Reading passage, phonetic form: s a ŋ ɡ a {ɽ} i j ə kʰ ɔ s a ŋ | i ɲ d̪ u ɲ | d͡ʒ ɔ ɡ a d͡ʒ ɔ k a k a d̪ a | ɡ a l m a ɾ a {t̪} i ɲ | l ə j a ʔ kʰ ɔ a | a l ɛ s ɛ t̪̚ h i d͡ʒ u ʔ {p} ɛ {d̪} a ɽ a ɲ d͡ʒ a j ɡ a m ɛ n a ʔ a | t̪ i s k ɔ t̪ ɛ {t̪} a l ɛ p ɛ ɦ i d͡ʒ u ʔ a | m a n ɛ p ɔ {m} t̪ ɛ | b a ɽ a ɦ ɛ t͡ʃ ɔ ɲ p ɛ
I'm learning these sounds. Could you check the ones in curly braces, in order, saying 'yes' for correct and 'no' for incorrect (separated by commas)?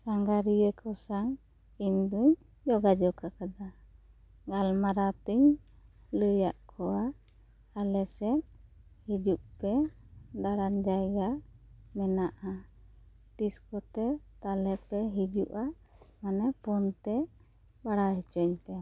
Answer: no, yes, yes, yes, yes, no